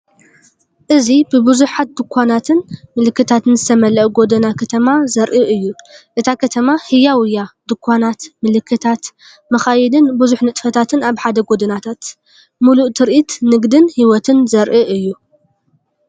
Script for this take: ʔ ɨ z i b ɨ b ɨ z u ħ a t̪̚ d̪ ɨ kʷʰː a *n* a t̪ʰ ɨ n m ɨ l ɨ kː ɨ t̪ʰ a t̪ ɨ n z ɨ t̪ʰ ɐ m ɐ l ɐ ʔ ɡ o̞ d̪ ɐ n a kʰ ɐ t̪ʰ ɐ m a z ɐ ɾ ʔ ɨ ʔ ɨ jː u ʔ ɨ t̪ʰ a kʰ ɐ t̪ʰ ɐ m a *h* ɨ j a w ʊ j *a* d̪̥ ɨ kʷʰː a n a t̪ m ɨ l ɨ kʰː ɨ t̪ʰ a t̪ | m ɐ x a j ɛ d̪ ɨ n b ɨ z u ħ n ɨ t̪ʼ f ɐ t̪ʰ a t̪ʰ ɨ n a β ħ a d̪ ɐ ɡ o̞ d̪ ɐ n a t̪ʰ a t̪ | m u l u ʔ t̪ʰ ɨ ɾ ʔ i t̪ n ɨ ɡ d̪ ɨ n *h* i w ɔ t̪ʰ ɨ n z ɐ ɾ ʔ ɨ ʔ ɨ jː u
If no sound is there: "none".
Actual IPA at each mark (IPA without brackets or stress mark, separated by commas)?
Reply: n, h, a, h